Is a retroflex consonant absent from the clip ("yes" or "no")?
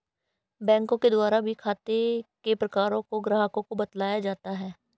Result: yes